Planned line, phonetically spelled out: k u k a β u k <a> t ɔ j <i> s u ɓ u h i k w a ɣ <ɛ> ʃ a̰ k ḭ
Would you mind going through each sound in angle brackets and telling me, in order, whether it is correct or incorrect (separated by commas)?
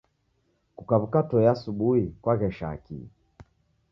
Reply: correct, incorrect, correct